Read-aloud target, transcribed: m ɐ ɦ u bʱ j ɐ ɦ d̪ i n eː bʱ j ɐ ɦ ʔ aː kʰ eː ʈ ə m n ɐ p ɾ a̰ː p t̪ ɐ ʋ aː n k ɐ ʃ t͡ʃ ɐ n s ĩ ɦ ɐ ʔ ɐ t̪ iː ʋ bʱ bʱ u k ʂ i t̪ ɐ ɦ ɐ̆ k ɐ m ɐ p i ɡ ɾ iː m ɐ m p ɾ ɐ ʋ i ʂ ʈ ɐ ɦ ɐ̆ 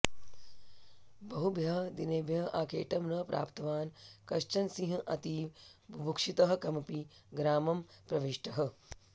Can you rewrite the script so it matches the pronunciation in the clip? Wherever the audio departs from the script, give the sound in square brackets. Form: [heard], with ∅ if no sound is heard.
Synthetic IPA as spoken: [b] ɐ ɦ u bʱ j ɐ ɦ d̪ i n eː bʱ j ɐ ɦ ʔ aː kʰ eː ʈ [ɐ] m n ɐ p ɾ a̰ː p t̪ ɐ ʋ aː n k ɐ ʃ t͡ʃ ɐ n s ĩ ɦ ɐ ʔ ɐ t̪ iː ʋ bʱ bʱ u k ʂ i t̪ ɐ ɦ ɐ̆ k ɐ m ɐ p i ɡ ɾ [aː] m ɐ m p ɾ ɐ ʋ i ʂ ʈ ɐ ɦ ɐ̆